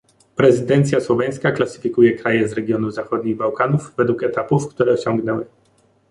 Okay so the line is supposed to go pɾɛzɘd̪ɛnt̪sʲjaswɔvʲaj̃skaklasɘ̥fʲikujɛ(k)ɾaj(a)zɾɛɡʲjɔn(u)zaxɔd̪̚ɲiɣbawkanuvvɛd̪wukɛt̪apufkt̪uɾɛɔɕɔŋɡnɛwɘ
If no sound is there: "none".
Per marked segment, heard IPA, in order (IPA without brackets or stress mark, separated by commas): k, ɛ, u